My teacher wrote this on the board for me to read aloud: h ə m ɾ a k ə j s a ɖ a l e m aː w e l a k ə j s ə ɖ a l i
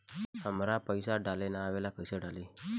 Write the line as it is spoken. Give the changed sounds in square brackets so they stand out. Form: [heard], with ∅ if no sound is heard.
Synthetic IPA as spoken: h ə m ɾ a [p] ə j s a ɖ a l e [n] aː [ʋ] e l a k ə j s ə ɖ a l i

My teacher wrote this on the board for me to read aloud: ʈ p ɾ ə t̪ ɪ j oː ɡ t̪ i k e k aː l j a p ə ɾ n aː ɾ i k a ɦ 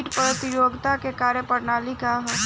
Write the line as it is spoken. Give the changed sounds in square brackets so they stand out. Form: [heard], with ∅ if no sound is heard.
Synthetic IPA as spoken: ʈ p ɾ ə t̪ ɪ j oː ɡ t̪ [a] k e k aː [ɾ] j [ə] p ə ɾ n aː [l] i k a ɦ

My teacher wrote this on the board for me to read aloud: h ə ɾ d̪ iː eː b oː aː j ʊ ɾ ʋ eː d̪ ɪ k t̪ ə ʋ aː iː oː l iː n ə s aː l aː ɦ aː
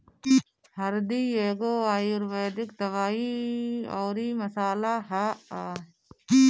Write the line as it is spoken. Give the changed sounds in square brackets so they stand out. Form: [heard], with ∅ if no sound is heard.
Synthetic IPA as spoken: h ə ɾ d̪ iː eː [ɡ] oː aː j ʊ ɾ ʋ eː d̪ ɪ k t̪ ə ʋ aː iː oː [ɾ] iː [m] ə s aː l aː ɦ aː

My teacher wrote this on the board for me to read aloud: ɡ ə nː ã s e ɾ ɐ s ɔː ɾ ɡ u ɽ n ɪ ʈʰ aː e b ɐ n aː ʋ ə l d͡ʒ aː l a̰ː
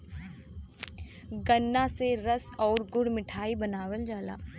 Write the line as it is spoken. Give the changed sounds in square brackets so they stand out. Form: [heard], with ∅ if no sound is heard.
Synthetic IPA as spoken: ɡ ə nː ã s e ɾ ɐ s ɔː ɾ ɡ [ʊ] ɽ [m] ɪ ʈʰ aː [i] b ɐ n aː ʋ ə l d͡ʒ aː l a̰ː

